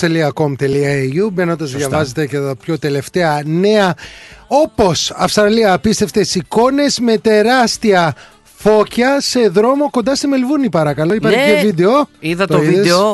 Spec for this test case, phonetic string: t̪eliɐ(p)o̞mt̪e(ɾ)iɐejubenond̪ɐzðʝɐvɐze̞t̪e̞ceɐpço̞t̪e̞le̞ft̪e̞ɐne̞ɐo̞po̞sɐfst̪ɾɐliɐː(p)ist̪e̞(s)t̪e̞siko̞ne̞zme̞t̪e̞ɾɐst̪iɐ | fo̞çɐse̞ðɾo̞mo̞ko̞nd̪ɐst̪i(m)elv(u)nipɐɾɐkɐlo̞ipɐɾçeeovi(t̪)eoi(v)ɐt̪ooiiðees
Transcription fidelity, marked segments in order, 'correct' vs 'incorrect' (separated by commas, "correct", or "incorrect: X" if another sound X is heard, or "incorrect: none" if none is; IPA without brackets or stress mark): incorrect: k, incorrect: l, correct, incorrect: f, correct, correct, incorrect: d̪, incorrect: ð